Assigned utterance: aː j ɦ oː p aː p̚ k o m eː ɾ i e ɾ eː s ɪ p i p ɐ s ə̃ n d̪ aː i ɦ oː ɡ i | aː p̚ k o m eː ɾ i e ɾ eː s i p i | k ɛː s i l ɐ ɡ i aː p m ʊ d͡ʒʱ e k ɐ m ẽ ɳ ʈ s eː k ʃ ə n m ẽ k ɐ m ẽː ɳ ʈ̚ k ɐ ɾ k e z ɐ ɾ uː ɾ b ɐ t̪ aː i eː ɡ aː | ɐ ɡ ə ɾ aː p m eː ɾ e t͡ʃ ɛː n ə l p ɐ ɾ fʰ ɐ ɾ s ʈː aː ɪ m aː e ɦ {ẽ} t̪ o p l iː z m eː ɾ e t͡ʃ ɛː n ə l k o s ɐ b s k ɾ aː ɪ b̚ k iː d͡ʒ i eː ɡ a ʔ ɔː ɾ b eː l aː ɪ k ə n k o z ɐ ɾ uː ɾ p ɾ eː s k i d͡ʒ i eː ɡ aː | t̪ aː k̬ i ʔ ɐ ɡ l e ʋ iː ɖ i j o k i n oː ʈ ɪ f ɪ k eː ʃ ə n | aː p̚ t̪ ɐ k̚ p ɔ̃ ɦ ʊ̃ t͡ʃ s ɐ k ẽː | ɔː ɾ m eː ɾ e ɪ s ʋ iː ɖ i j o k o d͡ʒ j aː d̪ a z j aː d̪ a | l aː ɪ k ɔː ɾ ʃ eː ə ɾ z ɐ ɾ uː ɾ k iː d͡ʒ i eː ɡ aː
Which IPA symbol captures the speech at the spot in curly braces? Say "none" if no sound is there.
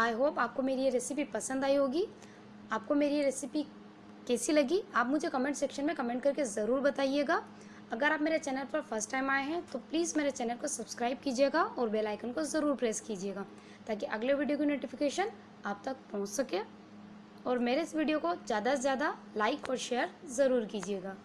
ɛ̃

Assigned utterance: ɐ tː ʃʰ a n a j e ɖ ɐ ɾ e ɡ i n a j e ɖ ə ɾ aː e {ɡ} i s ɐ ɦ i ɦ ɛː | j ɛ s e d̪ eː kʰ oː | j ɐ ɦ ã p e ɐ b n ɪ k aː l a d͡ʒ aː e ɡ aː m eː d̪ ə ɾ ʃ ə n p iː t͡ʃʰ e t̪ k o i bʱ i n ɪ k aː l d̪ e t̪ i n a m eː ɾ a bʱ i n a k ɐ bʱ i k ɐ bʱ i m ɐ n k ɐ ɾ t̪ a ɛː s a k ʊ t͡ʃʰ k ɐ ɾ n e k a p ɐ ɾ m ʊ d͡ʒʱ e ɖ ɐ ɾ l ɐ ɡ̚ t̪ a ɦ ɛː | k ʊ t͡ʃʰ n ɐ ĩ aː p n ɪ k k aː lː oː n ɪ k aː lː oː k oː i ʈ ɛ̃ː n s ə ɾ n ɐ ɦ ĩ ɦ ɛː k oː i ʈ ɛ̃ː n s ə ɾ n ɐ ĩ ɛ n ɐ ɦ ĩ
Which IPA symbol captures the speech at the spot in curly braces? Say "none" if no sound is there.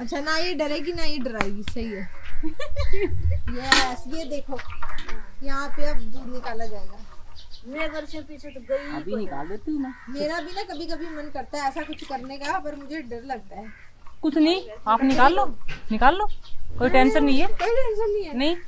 ɡ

